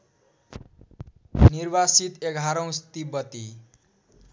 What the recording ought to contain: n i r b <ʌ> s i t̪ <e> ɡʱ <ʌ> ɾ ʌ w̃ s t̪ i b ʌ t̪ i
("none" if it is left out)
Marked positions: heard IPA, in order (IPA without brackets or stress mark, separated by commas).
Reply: a, e, a